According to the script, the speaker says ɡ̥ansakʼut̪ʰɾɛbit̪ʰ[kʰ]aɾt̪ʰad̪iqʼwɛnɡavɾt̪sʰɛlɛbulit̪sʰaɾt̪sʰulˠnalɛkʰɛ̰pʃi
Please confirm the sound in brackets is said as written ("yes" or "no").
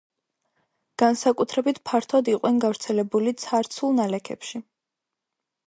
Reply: no